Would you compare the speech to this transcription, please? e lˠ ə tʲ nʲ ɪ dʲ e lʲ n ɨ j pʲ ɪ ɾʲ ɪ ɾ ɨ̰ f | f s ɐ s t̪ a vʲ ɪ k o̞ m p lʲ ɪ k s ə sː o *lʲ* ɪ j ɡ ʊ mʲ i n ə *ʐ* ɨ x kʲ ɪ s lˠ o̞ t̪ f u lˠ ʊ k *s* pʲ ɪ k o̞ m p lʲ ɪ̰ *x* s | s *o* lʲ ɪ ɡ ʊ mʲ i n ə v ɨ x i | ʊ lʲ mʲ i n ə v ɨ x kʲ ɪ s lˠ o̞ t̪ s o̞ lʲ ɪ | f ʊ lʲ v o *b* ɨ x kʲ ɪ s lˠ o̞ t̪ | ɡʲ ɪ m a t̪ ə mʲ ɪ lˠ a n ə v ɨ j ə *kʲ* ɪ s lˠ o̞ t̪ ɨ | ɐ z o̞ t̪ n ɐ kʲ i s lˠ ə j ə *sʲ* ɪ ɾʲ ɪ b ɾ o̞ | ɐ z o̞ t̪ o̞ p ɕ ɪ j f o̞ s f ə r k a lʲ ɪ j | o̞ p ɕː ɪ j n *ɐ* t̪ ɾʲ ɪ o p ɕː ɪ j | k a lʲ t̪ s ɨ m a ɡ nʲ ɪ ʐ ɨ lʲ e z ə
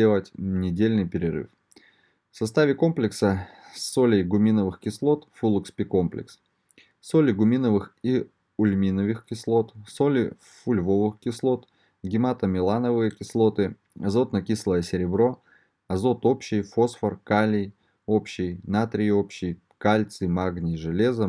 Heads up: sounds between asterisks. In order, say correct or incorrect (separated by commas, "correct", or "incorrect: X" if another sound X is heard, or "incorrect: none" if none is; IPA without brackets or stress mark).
correct, incorrect: v, correct, incorrect: k, correct, incorrect: v, correct, correct, incorrect: a